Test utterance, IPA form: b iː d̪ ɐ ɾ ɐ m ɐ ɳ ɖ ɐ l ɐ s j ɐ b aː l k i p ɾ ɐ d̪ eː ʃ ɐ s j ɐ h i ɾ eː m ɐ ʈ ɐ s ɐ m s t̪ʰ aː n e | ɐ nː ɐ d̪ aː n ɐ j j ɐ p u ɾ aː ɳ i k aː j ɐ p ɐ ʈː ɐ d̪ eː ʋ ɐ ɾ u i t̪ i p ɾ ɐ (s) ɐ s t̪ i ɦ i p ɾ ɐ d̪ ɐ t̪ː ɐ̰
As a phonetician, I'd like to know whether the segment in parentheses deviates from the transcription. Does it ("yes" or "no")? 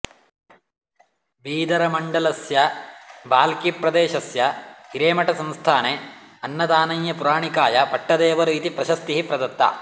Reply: yes